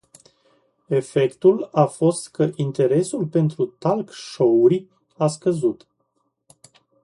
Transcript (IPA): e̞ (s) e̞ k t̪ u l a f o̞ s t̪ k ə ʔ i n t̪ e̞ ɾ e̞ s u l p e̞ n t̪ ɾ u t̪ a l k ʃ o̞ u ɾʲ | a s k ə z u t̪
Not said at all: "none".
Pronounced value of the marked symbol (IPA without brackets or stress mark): f